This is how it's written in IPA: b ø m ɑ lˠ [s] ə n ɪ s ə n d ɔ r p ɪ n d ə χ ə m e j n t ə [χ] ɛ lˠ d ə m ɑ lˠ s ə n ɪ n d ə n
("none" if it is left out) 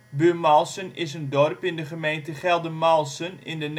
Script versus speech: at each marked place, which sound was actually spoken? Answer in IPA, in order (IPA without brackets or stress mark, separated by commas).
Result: s, χ